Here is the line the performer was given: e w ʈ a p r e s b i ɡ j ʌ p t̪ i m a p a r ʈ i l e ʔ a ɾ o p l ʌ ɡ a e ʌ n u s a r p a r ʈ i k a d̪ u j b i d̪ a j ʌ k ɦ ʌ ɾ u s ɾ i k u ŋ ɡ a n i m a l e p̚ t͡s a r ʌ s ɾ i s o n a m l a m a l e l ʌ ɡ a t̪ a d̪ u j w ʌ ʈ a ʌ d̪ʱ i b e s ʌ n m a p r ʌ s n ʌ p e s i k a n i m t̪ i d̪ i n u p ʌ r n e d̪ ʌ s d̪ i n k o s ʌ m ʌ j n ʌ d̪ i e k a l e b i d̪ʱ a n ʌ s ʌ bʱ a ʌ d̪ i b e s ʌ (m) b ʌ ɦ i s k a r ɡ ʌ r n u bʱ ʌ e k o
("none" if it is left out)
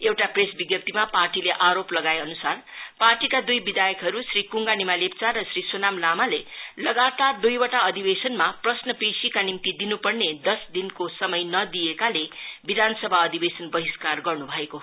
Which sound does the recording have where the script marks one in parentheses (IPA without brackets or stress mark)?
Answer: n